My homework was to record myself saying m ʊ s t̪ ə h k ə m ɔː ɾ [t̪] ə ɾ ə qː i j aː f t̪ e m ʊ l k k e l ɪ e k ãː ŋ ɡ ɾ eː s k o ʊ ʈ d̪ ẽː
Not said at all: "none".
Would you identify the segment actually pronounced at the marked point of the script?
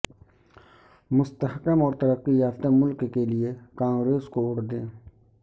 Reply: t̪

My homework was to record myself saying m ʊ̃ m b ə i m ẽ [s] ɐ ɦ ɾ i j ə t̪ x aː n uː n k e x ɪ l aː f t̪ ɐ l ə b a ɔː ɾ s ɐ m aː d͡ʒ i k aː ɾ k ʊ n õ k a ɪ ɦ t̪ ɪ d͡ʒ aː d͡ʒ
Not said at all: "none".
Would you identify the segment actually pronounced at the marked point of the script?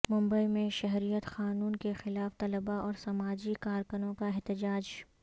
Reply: ʃ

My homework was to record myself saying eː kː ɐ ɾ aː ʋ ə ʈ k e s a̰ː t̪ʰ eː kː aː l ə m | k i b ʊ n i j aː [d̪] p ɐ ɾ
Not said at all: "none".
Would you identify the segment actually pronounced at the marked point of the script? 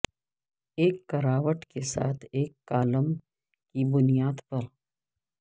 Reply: d̪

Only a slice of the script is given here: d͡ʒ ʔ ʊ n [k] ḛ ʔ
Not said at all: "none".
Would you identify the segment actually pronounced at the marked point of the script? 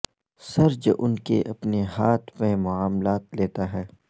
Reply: k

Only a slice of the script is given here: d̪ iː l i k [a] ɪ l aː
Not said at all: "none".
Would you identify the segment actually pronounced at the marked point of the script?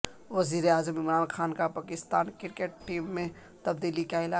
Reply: a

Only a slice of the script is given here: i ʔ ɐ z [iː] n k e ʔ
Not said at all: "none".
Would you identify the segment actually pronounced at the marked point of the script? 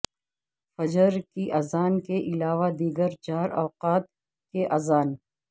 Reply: aː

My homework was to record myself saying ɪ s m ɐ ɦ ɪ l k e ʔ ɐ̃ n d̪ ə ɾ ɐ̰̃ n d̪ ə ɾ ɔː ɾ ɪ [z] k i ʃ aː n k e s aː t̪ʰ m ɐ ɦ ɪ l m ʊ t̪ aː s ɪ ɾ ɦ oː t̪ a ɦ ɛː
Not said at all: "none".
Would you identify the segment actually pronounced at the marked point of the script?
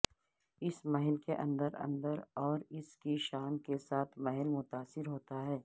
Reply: s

